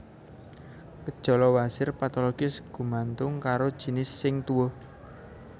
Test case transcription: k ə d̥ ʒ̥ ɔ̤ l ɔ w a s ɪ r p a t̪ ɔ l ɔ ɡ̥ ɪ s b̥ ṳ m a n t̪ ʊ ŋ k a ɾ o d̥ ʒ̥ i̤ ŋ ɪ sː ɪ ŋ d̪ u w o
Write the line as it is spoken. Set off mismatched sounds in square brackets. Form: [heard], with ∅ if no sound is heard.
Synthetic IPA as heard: k ə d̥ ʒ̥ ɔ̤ l ɔ w a s ɪ r p a t̪ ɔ l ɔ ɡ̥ ɪ s [ɡ̥] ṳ m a n t̪ ʊ ŋ k a ɾ o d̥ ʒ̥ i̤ [n] ɪ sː ɪ ŋ [t̪] u w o